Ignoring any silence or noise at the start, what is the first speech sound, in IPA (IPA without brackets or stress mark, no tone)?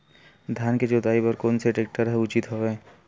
d̪ʱ